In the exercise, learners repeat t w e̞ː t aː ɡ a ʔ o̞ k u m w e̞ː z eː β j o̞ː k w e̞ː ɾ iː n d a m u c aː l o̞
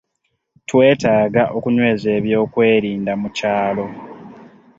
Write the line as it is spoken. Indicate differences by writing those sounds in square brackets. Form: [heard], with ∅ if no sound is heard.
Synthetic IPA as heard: t w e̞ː t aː ɡ a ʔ o̞ k u [ɲ] w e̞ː z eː β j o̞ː k w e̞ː ɾ iː n d a m u c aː l o̞